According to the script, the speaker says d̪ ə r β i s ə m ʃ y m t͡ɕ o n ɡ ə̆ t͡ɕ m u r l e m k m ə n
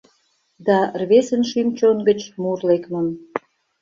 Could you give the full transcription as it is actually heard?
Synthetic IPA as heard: d̪ ɑ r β e s ə n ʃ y m t͡ɕ o n ɡ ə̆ t͡ɕ m u r l e k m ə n